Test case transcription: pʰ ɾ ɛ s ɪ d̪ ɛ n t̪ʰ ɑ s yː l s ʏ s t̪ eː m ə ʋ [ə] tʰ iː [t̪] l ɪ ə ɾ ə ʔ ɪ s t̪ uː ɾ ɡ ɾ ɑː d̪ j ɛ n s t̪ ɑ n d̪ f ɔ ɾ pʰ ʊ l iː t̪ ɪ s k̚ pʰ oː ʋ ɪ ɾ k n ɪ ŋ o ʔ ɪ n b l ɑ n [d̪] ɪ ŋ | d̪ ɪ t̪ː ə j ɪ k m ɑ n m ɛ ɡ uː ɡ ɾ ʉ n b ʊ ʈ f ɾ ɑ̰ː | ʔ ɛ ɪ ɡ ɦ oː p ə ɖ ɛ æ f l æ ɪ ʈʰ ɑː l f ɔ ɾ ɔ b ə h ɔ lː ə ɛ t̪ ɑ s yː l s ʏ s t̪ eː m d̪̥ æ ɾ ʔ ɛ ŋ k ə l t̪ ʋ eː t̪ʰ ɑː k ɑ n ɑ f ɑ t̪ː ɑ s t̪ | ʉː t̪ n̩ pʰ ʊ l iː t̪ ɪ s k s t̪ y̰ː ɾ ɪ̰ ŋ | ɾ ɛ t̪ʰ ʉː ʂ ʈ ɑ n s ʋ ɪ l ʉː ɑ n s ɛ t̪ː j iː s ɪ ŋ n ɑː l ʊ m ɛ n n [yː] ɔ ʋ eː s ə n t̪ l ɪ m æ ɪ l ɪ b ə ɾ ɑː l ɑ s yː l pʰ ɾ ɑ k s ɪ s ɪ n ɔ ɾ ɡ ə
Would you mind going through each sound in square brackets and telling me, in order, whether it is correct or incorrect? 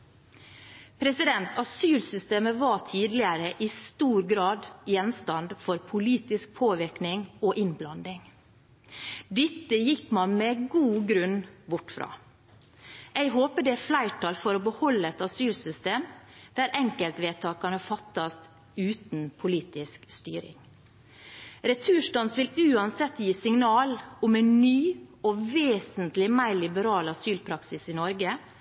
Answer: incorrect: ɑ, incorrect: d̪, correct, correct

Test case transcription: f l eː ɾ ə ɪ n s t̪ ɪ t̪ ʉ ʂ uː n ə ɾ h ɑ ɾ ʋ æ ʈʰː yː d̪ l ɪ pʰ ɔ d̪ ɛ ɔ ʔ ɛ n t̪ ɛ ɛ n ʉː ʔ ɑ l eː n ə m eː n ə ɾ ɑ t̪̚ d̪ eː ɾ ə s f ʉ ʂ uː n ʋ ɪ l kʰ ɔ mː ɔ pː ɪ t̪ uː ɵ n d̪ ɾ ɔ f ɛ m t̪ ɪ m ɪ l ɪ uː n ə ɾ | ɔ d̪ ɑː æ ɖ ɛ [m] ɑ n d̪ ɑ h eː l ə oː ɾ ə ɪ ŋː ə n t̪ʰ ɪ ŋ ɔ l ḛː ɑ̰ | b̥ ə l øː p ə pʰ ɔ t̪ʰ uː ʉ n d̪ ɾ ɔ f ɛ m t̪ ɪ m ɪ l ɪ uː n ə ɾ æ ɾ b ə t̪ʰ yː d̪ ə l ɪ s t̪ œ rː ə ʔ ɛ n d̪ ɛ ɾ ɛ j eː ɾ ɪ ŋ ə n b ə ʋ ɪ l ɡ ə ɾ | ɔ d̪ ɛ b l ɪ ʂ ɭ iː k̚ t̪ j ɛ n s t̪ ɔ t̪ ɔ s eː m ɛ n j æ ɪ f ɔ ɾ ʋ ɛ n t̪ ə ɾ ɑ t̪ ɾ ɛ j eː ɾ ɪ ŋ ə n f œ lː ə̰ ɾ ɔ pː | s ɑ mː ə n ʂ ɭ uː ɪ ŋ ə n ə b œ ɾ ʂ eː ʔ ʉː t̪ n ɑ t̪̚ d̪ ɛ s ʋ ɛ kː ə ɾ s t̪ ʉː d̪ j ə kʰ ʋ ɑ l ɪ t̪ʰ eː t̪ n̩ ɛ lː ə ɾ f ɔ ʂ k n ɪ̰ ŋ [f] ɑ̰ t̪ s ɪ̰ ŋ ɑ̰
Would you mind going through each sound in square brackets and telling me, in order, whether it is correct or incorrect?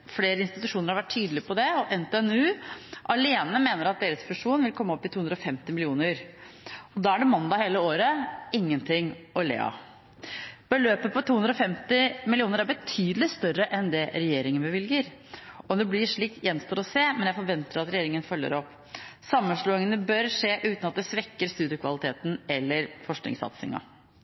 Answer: correct, incorrect: s

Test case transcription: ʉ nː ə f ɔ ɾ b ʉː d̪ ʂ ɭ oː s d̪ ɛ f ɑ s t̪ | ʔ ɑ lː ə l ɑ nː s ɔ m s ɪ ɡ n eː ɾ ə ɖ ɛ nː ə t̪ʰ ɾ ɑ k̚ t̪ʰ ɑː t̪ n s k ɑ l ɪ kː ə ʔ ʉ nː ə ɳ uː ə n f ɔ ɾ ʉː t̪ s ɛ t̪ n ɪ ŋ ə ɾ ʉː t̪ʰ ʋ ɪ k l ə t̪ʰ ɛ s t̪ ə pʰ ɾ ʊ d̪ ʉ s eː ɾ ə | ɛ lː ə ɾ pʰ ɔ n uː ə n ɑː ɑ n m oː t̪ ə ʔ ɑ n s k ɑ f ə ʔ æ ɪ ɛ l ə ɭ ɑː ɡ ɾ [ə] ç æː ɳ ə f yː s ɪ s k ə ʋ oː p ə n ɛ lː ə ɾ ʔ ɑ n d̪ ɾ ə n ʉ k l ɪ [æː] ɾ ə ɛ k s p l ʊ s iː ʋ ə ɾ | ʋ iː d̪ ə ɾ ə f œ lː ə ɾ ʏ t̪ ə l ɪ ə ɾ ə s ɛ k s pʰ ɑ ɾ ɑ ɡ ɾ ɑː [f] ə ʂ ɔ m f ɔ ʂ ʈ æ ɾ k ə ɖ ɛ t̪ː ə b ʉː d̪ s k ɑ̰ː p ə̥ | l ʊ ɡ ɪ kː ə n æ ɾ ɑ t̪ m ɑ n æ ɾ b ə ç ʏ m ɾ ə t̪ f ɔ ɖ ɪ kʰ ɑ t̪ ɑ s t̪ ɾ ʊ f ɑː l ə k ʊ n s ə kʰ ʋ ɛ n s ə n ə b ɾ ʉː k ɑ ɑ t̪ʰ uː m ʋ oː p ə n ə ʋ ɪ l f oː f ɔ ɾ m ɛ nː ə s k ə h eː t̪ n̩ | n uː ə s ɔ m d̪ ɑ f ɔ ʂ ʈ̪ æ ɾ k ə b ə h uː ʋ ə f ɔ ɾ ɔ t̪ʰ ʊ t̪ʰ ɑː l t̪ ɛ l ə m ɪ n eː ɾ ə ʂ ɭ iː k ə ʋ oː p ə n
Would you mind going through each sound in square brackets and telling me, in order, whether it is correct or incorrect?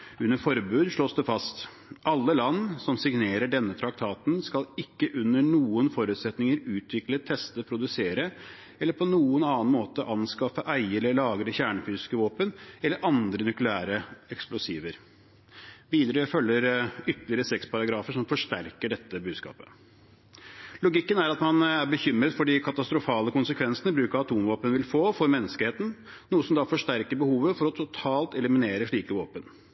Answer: correct, correct, correct

